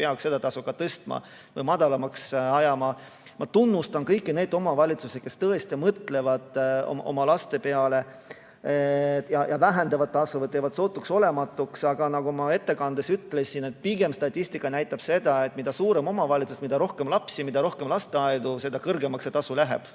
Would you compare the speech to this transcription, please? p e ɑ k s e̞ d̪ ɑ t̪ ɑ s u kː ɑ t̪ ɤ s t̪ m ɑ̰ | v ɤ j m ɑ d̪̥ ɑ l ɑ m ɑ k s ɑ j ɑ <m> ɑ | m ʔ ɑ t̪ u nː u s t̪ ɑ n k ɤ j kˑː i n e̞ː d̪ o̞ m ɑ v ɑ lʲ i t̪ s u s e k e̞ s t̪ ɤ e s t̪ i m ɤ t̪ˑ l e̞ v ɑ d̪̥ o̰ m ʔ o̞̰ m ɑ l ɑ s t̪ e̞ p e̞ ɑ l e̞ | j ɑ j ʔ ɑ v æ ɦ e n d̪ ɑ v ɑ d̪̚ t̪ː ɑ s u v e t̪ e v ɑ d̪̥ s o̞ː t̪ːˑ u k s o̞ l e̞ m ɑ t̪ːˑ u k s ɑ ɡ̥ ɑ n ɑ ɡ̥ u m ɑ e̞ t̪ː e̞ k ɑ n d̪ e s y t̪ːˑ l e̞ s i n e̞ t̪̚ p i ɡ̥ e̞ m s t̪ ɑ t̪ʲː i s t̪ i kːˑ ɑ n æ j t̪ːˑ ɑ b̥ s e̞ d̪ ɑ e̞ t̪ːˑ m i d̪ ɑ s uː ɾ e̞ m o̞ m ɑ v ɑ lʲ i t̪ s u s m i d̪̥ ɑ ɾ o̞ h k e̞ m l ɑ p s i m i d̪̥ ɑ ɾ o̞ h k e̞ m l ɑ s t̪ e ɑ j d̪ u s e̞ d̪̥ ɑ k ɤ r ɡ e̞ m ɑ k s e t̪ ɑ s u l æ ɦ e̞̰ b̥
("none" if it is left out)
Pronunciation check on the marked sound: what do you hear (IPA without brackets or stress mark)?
m